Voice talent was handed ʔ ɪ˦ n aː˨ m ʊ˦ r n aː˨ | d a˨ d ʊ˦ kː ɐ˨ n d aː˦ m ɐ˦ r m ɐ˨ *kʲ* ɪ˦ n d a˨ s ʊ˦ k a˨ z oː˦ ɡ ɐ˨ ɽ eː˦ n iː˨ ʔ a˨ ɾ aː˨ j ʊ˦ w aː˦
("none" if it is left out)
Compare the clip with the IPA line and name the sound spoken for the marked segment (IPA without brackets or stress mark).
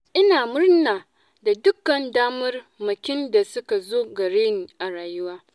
kʲ